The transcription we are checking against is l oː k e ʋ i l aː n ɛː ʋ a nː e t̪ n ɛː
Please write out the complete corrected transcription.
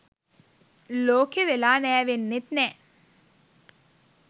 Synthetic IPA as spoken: l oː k e ʋ e l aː n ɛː ʋ e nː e t̪ n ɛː

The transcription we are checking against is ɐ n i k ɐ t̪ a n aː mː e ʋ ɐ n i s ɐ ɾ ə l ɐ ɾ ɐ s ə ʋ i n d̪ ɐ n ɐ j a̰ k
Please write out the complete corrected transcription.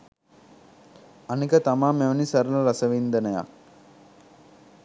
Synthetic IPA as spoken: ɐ n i k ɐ t̪ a m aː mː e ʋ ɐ n i s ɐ ɾ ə l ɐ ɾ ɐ s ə ʋ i n d̪ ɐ n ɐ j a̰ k

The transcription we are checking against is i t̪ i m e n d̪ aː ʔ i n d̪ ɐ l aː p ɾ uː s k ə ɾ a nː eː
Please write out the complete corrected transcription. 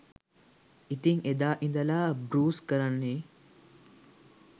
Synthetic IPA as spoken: i t̪ i ŋ e d̪ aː ʔ i n d̪ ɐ l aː b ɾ uː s k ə ɾ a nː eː

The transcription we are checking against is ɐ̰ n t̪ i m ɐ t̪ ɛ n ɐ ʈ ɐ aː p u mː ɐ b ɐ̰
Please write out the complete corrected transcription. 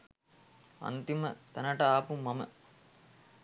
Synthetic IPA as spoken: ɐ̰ n t̪ i m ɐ t̪ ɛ n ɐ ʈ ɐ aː p u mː ɐ m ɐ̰

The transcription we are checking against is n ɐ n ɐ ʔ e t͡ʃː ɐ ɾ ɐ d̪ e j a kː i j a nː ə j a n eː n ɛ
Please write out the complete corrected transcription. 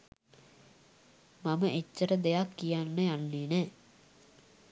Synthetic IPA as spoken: m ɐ m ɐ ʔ e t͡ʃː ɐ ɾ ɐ d̪ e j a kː i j a nː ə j a nː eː n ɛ

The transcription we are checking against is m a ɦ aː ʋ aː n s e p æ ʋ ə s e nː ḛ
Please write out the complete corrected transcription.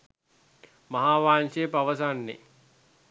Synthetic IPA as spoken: m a ɦ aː ʋ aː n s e p a ʋ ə s a nː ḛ

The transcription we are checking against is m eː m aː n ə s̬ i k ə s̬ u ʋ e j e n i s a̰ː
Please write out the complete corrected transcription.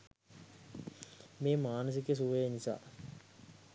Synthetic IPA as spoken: m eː m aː n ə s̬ i k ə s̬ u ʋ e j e n i s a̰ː

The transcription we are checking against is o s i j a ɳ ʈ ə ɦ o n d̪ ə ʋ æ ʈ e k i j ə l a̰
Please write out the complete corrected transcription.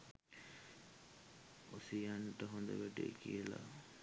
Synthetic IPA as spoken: o s i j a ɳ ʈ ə ɦ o n d̪ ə ʋ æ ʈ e k i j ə l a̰

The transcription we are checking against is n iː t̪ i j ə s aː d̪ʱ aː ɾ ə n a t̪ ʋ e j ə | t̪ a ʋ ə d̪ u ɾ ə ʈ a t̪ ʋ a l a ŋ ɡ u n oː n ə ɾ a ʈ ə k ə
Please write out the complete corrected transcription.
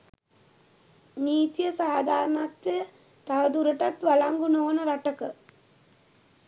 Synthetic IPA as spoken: n iː t̪ i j ə s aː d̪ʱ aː ɾ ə n a t̪ ʋ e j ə | t̪ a ʋ ə d̪ u ɾ ə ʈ a t̪ ʋ a l a ŋ ɡ u n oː n ə ɾ a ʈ ə k ə

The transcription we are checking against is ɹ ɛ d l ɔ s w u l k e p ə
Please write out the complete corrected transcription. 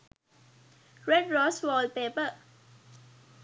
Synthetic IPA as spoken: ɹ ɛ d ɹ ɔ s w ɔ l p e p ə

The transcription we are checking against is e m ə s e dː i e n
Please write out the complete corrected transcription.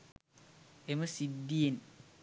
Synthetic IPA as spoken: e m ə s i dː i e n

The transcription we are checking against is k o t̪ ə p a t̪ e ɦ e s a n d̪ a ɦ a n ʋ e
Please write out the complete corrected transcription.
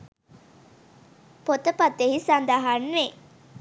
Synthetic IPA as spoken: p o t̪ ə p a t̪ e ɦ i s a n d̪ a ɦ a n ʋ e

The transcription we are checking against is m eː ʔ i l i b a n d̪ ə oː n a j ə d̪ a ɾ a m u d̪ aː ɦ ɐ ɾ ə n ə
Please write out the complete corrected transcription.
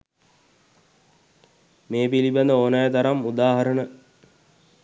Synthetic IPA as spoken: m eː p i l i b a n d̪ ə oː n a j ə t̪ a ɾ a m u d̪ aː ɦ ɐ ɾ ə n ə

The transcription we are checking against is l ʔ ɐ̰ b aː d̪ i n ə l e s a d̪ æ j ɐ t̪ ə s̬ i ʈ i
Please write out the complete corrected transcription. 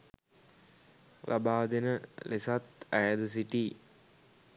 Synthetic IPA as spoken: l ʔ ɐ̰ b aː d̪ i n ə l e s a t̪ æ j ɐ d̪ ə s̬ i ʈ i

